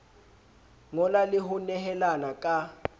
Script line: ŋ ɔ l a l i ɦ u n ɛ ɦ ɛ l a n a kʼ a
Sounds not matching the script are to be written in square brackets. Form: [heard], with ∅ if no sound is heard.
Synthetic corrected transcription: ŋ ɔ l a l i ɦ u n ɛ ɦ ɛ l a n a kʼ a